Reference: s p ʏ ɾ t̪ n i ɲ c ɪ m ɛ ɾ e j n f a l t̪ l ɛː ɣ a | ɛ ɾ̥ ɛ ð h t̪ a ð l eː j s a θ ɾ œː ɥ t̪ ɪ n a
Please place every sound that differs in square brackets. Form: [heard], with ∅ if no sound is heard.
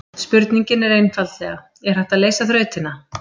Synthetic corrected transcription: s p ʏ ɾ t̪ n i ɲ c ɪ [n] ɛ ɾ e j n f a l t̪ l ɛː ɣ a | ɛ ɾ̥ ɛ [∅] h t̪ a ð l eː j s a θ ɾ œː ɥ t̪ ɪ n a

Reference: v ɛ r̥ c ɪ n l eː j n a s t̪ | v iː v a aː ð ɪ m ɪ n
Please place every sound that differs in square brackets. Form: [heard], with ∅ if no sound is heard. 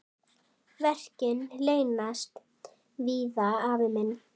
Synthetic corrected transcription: v ɛ r̥ c ɪ n l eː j n a s t̪ | v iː [ð] a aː [v] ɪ m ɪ n

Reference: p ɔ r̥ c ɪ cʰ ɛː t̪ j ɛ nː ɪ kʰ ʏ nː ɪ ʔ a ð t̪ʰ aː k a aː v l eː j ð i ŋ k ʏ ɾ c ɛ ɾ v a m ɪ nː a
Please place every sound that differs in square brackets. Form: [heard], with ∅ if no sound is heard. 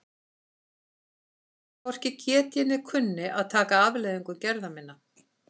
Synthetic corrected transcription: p ɔ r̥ c ɪ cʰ ɛː t̪ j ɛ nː ɪ kʰ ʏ nː ɪ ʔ a ð t̪ʰ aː k a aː v l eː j ð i ŋ k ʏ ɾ c ɛ ɾ [ð] a m ɪ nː a

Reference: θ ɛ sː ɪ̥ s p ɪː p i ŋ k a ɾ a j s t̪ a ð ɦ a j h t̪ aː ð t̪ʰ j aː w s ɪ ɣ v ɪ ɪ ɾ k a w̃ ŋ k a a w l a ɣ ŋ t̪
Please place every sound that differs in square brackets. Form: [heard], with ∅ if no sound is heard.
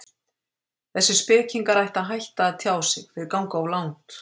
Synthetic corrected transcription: θ ɛ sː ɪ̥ s p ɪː [c] i ŋ k a ɾ a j [h] t̪ a ð ɦ a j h t̪ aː ð t̪ʰ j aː w s ɪ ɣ [f] ɪ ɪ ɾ k a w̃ ŋ k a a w l a [w] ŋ t̪

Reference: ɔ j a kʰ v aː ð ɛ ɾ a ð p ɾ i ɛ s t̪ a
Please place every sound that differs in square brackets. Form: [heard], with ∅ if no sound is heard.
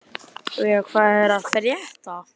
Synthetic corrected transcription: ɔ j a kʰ v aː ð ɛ ɾ a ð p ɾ [j] ɛ [h] t̪ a

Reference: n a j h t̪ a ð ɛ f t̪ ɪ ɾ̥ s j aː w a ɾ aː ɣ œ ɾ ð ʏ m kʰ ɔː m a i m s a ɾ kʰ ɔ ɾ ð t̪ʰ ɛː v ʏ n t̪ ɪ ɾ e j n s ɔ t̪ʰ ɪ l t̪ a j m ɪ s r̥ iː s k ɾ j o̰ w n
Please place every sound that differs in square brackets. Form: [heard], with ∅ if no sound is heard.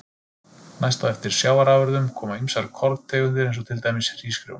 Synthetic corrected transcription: n a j [s] t̪ a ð ɛ f t̪ ɪ ɾ̥ s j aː w a ɾ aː [v] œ ɾ ð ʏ m kʰ ɔː m a i m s a ɾ kʰ ɔ ɾ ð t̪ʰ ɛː [ɣ] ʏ n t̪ ɪ ɾ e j n s ɔ t̪ʰ ɪ l t̪ a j m ɪ s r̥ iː s k ɾ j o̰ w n

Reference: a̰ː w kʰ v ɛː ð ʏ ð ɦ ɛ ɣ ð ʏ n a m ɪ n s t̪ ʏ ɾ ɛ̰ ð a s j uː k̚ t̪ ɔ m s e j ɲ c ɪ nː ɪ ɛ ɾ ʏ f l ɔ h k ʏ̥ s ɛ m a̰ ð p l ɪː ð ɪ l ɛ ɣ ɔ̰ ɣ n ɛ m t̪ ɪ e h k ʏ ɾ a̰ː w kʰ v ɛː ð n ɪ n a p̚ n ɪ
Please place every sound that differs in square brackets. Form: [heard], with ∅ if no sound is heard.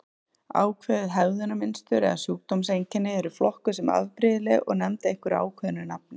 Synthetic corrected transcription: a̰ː w kʰ v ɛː ð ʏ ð ɦ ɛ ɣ ð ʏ n a m ɪ n s t̪ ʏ ɾ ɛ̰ ð a s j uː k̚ t̪ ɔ m s e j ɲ c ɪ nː ɪ ɛ ɾ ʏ f l ɔ h k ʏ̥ s ɛ m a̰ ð p [ɾ] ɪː ð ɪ l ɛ ɣ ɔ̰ ɣ n ɛ m t̪ ɪ e h k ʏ ɾ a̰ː w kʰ v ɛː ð n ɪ n a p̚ n ɪ

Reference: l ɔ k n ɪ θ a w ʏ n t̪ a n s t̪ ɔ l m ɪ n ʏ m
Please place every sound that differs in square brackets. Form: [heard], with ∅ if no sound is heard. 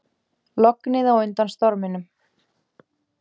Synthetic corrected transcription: l ɔ k n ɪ [ð] a w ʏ n t̪ a n s t̪ ɔ [ɾ] m ɪ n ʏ m

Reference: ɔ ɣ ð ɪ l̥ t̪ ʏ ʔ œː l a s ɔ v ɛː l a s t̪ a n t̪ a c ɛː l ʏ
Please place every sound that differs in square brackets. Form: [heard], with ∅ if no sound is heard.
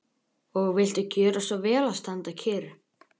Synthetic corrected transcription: ɔ ɣ [v] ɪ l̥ t̪ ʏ [c] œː [ɾ] a s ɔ v ɛː l a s t̪ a n t̪ a [cʰ] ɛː [ɾ] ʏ

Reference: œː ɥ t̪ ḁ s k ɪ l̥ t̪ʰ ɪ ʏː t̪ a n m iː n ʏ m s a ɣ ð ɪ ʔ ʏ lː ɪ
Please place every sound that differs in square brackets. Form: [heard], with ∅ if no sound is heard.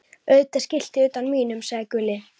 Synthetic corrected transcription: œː ɥ t̪ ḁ s [c] ɪ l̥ [t̪] ɪ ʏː t̪ a n m iː n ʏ m s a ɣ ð ɪ [k] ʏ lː ɪ

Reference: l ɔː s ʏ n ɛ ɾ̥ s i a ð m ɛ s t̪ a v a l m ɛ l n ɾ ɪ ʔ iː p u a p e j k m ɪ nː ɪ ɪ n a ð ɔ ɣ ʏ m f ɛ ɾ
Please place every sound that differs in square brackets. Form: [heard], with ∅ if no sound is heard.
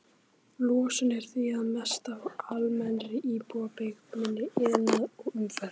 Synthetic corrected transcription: l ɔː s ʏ n ɛ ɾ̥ [θ] i a ð m ɛ s t̪ a v a l m ɛ [∅] n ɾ ɪ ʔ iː p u a p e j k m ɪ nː ɪ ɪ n a ð ɔ ɣ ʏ m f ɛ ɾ

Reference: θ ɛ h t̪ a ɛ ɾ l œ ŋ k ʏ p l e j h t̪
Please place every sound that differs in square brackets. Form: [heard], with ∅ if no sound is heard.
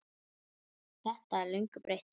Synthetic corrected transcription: θ ɛ h t̪ a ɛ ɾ l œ ŋ k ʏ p [ɾ] e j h t̪

